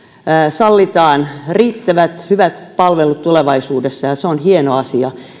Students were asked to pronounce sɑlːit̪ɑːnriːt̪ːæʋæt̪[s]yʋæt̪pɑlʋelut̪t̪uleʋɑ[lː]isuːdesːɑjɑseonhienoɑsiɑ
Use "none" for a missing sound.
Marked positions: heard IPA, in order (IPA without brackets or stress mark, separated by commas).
h, none